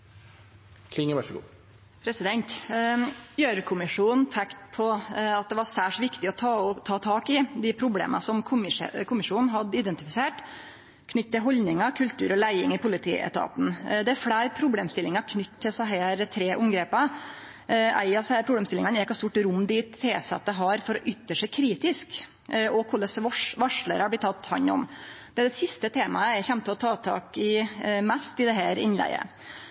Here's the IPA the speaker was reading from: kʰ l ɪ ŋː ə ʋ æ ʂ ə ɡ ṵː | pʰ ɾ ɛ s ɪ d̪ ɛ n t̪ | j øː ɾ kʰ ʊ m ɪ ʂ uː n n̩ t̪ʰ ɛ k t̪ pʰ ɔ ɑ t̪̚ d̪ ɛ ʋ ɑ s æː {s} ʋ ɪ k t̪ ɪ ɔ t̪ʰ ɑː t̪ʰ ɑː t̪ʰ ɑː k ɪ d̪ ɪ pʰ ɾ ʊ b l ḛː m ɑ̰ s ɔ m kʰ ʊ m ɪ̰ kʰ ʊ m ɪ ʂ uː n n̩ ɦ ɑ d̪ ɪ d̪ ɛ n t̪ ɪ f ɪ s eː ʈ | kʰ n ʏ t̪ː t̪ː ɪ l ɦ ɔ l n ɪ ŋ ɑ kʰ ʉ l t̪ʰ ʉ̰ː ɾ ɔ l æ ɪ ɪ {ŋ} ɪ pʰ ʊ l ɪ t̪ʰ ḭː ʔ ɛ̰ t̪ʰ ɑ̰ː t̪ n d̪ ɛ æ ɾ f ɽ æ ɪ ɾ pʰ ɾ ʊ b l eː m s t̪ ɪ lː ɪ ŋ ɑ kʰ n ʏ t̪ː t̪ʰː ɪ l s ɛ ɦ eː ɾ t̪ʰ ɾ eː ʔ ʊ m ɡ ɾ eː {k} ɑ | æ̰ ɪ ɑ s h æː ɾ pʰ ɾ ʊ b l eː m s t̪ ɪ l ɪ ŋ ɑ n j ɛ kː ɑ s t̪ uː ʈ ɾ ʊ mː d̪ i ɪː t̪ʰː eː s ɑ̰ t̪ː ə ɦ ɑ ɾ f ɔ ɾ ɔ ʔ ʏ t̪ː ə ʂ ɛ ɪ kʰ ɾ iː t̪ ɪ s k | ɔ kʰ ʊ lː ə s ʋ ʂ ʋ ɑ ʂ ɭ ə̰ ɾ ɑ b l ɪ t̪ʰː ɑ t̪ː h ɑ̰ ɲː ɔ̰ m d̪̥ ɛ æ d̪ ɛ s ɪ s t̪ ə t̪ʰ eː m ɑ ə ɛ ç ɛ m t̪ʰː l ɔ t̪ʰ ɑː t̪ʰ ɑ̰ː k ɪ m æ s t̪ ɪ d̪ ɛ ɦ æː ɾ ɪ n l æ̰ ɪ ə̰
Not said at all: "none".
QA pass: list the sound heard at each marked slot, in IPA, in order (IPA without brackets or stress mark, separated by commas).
ʂ, ŋ, p